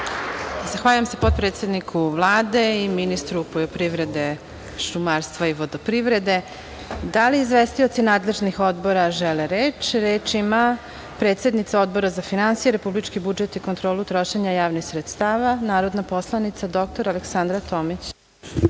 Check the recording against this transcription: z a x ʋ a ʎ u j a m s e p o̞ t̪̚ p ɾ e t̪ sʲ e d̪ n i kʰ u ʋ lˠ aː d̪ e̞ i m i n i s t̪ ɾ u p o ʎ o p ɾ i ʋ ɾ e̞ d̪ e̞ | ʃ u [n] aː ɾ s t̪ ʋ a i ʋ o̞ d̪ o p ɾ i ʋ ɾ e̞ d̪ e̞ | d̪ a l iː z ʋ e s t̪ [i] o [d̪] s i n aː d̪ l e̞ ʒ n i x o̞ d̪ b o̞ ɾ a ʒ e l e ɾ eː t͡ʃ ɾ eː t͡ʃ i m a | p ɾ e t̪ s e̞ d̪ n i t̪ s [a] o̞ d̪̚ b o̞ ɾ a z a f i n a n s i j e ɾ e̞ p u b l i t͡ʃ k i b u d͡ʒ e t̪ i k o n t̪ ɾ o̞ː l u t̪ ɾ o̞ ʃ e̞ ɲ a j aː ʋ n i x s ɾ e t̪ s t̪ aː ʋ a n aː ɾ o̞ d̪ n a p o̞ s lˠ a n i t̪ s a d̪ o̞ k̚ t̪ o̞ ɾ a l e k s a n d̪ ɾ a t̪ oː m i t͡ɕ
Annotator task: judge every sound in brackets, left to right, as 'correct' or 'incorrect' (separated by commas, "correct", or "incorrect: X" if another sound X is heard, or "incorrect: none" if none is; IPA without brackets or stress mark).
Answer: incorrect: m, correct, incorrect: t̪, correct